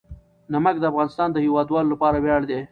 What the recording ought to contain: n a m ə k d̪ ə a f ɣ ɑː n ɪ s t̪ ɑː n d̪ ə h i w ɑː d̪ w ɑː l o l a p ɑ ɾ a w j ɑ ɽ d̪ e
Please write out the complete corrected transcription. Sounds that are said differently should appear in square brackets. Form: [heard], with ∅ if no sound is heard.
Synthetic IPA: n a m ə k d̪ ə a f ɣ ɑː n ɪ s t̪ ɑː n d̪ ə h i w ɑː d̪ w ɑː l o l a p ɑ ɾ a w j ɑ ɽ d̪ e